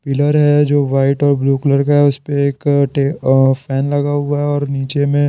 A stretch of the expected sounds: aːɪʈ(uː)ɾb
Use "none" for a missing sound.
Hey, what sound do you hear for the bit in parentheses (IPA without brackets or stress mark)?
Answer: ɔː